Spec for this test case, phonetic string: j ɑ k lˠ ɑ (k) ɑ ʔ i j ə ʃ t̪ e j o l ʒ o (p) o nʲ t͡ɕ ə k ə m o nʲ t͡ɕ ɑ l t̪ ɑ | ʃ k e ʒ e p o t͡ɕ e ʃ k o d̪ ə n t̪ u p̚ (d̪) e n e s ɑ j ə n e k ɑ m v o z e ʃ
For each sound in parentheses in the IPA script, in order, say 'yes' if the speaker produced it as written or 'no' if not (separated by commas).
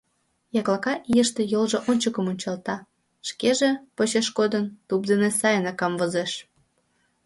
yes, no, yes